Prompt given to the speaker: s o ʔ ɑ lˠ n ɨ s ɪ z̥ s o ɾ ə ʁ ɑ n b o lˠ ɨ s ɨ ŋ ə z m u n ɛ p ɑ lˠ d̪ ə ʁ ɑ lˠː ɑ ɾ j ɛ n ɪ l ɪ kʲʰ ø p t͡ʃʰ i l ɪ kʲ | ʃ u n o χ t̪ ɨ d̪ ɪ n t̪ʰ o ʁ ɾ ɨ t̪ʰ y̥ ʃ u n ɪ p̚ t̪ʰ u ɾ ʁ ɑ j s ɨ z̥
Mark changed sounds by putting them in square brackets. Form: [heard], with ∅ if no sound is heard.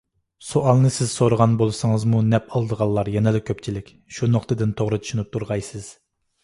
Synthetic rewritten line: s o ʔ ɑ lˠ n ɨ s ɪ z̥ s o ɾ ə ʁ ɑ n b o lˠ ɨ s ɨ ŋ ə z m u n ɛ p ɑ lˠ d̪ ə ʁ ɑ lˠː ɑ ɾ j ɛ n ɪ l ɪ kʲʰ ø p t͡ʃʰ i l ɪ kʲ | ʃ u n o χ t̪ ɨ d̪ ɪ n t̪ʰ o ʁ ɾ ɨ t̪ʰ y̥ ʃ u n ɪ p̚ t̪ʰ u ɾ ʁ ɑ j s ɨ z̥